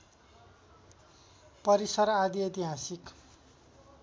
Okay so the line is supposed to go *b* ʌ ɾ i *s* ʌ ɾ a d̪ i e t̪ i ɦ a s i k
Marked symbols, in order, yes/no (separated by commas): no, yes